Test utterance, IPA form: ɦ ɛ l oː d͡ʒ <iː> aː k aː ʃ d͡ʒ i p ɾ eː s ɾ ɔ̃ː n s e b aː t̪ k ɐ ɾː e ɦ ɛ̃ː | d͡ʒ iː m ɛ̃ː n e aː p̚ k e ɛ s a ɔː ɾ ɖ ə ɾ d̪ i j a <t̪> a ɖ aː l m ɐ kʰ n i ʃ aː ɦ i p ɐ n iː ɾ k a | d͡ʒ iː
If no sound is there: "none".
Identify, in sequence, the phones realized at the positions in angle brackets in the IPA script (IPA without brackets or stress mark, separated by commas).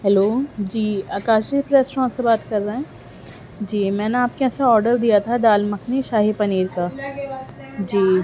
iː, t̪ʰ